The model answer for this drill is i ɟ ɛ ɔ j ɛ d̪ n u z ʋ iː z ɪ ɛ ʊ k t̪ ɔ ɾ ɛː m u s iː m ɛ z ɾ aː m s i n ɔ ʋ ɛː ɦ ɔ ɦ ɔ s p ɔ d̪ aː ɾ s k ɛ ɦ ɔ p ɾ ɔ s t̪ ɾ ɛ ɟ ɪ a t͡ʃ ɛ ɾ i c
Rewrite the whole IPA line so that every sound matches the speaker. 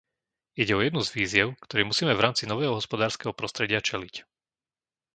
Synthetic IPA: i ɟ ɛ ɔ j ɛ d̪ n u z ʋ iː z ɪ ɛ ʊ k t̪ ɔ ɾ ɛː m u s iː m ɛ v ɾ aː m t͡s i n ɔ ʋ ɛː ɦ ɔ ɦ ɔ s p ɔ d̪ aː ɾ s k ɛ ɦ ɔ p ɾ ɔ s t̪ ɾ ɛ ɟ ɪ a t͡ʃ ɛ l i c